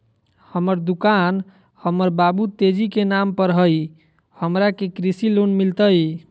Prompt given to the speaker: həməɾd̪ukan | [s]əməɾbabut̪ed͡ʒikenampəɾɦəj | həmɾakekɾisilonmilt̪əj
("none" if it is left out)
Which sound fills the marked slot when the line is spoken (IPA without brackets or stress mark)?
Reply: h